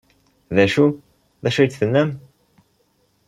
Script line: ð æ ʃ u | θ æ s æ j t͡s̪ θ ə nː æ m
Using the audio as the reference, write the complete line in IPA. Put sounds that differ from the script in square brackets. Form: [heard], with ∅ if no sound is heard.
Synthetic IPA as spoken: ð æ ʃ u | [ð] æ [ʃ] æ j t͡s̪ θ ə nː æ m